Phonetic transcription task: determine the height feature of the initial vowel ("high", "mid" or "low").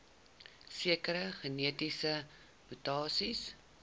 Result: high